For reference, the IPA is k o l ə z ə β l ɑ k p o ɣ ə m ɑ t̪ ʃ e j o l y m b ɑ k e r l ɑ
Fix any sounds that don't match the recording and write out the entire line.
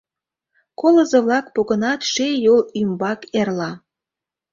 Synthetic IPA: k o l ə z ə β l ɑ k p o ɣ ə n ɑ t̪ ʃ e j o l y m b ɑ k e r l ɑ